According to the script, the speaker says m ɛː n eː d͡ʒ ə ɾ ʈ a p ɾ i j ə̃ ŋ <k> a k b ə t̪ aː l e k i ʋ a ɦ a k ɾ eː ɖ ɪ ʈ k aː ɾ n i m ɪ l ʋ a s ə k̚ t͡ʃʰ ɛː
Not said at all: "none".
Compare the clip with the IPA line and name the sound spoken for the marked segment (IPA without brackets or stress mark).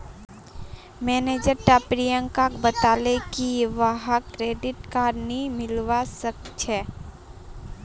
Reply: k